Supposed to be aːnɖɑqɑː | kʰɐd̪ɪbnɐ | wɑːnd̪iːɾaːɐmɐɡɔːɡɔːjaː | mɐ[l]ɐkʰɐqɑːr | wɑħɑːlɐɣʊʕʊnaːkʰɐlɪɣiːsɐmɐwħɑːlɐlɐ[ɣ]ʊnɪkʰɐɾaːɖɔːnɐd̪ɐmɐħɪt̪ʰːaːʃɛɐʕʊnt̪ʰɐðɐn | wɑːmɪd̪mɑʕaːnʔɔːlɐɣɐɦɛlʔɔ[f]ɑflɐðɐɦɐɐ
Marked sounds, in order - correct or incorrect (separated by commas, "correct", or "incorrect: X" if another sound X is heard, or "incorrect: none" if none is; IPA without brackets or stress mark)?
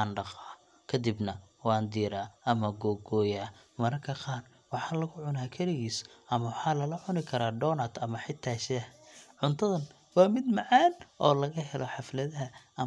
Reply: incorrect: ɾ, incorrect: ʕ, incorrect: ħ